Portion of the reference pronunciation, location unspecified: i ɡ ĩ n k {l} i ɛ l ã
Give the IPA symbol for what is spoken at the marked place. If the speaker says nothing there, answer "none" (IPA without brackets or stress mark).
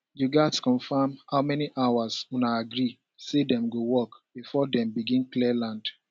l